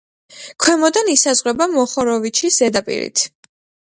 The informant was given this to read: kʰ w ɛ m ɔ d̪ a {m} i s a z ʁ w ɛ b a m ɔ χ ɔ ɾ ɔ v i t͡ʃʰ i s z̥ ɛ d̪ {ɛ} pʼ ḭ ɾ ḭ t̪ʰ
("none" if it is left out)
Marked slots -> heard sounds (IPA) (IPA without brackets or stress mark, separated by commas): n, a